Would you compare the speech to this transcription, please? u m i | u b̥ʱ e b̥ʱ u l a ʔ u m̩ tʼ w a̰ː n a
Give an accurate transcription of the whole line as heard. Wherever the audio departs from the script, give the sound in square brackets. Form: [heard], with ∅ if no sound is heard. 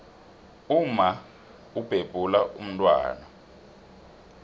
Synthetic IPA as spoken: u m [a] | u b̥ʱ e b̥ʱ u l a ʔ u m̩ tʼ w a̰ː n a